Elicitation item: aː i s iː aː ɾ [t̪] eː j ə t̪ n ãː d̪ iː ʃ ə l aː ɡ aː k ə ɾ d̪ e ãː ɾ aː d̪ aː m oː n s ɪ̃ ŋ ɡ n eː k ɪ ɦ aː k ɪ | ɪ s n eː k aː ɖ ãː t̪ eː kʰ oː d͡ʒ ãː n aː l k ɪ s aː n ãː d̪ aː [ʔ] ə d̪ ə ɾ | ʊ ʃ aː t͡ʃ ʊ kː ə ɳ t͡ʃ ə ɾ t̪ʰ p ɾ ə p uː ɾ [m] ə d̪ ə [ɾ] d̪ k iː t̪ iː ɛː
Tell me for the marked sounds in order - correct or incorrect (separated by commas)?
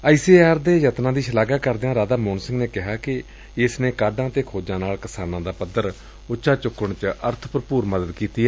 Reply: incorrect, incorrect, correct, incorrect